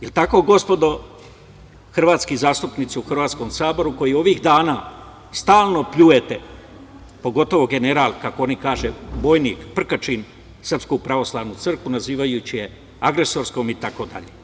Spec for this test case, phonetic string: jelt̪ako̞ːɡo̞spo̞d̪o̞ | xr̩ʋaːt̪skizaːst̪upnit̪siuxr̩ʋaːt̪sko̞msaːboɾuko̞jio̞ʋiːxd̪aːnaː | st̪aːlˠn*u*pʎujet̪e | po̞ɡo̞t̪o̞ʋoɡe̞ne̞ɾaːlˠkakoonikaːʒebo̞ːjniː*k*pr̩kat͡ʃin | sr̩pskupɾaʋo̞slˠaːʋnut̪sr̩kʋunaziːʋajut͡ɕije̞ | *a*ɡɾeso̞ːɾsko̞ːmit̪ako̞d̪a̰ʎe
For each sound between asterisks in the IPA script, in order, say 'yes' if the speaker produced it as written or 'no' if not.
no, yes, yes

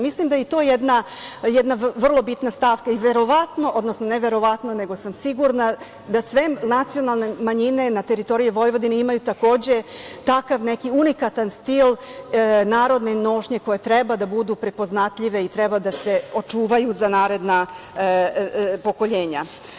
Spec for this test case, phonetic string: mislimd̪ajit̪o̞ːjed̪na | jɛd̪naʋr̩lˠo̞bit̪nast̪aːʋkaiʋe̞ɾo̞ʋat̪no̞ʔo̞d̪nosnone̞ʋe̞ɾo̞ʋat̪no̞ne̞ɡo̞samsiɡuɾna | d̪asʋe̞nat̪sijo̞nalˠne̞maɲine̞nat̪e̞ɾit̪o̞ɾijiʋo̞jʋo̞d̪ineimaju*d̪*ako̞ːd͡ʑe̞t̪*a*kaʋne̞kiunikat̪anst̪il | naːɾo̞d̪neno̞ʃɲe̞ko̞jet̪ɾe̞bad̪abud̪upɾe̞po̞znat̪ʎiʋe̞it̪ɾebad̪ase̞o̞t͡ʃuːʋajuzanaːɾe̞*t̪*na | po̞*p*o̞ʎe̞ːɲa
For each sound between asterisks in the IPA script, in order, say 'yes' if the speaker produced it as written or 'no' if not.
no, yes, no, no

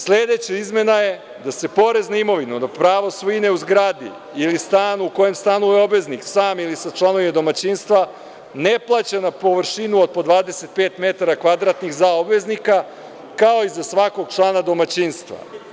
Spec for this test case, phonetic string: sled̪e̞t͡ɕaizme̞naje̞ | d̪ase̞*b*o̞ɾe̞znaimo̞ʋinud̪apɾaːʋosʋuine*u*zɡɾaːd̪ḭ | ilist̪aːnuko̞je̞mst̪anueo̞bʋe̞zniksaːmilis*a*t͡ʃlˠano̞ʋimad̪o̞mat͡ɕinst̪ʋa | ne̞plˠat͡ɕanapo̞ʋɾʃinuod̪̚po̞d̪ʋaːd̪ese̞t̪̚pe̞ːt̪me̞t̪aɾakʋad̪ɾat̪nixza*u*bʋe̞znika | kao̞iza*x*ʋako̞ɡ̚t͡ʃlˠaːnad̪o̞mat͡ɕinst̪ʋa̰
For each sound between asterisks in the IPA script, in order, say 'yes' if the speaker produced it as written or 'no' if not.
no, yes, yes, no, no

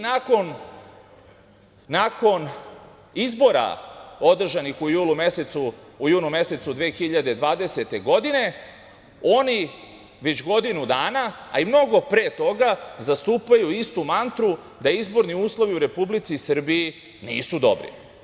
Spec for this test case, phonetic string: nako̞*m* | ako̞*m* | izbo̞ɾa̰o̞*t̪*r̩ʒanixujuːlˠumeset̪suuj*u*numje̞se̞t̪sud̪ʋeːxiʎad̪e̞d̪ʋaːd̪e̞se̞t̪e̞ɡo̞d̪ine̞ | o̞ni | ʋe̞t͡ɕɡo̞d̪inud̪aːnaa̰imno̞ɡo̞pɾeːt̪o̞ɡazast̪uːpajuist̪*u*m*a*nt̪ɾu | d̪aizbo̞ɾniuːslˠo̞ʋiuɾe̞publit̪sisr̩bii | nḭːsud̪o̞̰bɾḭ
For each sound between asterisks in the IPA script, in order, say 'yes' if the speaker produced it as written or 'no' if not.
no, no, no, no, yes, yes

